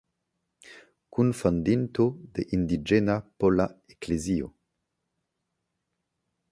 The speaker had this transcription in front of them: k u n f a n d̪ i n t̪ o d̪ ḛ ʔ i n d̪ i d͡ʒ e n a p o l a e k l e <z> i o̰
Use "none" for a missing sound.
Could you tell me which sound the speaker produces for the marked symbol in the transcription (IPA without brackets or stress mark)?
z